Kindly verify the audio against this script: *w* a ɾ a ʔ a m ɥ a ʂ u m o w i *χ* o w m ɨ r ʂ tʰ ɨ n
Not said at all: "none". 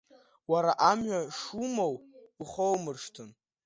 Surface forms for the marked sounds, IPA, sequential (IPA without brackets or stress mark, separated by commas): w, χ